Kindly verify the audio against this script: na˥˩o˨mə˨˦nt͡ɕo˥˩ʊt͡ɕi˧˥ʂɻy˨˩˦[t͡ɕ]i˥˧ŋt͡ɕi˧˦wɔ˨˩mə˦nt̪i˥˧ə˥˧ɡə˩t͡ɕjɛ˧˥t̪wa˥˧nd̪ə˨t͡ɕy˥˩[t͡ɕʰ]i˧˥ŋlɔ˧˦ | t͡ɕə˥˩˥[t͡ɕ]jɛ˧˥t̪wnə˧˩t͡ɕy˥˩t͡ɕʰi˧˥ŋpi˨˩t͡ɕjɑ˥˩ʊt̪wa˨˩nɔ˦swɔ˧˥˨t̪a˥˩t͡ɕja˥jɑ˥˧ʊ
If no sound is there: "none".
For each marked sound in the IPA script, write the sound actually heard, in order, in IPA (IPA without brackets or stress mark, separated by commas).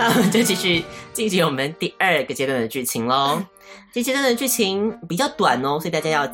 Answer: t͡ɕ, t͡ɕʰ, t͡ɕ